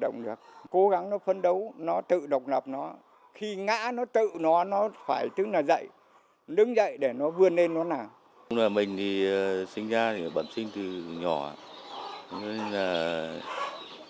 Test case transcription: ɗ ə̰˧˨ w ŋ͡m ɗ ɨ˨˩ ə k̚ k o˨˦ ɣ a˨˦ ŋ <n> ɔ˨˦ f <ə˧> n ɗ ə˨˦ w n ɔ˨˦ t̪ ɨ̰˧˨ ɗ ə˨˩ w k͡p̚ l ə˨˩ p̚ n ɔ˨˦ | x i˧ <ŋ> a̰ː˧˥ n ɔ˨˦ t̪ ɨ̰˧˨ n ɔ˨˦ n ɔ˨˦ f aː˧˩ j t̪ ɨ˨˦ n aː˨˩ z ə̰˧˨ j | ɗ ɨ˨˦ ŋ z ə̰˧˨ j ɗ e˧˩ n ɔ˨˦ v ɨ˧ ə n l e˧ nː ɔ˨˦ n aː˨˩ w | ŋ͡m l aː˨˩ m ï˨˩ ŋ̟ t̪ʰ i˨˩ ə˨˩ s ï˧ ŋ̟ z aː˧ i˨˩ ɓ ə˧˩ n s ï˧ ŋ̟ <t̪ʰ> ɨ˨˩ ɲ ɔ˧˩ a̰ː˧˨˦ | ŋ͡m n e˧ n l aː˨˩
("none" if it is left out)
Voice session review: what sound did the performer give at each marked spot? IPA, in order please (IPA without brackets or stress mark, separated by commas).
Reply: n, ə˧, ŋ, t̪